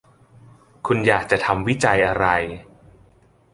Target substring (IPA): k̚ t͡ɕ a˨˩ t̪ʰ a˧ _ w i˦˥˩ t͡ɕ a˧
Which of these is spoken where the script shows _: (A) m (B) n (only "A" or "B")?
A